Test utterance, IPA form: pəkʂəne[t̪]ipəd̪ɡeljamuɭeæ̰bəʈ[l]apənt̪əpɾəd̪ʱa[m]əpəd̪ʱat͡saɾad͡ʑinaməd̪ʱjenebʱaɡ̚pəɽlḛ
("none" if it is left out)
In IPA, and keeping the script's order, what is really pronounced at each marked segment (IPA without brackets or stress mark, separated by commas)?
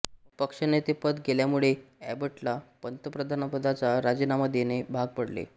t̪, l, n